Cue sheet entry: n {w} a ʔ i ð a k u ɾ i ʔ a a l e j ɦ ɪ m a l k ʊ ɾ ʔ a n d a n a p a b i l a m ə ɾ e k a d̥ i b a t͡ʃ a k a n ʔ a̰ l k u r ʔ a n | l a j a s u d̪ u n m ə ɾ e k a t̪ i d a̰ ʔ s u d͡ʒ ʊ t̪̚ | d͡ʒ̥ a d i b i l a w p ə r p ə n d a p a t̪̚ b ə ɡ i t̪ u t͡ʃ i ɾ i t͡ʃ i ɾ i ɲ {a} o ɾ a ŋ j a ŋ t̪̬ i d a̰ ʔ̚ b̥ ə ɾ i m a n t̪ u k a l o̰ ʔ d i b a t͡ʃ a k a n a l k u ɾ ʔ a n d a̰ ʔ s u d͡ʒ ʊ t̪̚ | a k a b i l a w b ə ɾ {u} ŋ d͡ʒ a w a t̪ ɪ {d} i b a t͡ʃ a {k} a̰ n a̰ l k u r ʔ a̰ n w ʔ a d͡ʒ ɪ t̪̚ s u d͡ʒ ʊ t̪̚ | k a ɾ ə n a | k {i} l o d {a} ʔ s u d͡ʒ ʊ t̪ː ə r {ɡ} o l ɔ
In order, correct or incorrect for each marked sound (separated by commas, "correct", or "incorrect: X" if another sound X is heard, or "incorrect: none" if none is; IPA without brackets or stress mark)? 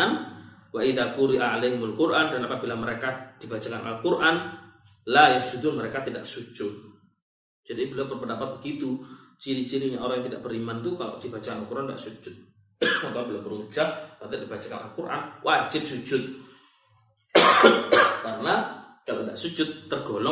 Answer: correct, correct, correct, correct, correct, incorrect: a, correct, correct